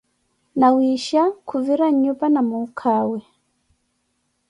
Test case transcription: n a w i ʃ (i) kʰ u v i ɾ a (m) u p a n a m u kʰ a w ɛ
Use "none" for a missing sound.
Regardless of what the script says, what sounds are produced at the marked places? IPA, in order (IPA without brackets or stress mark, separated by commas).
a, ɲ